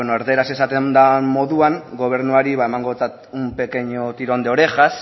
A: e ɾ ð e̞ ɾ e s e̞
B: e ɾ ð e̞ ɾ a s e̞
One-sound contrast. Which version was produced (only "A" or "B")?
B